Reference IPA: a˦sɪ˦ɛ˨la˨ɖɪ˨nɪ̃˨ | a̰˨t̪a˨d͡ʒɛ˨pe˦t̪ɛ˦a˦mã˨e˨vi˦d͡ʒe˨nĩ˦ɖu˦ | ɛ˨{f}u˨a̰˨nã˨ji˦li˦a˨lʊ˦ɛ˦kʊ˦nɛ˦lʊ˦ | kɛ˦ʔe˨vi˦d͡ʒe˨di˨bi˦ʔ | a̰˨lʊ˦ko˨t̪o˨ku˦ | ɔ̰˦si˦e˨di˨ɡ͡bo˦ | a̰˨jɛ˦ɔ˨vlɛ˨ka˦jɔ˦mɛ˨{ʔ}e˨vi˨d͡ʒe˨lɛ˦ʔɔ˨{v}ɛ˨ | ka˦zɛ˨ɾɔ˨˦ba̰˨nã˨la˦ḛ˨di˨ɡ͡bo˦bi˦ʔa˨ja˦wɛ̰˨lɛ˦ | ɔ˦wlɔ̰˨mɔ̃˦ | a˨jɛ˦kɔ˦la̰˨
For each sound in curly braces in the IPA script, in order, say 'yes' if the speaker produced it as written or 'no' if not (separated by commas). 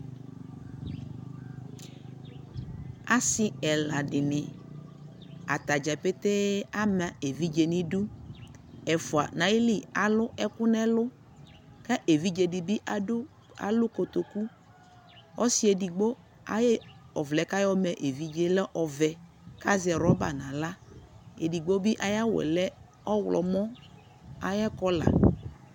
yes, yes, yes